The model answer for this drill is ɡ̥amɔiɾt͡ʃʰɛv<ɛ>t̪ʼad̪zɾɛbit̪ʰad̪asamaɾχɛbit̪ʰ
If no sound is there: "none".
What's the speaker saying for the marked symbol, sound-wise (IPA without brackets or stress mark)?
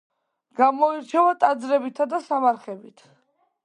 a